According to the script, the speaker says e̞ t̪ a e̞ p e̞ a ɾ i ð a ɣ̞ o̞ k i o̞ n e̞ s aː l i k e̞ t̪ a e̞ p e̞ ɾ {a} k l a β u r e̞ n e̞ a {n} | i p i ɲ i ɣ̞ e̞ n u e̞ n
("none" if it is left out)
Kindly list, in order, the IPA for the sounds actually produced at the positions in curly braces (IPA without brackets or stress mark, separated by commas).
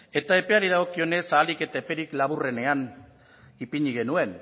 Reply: i, n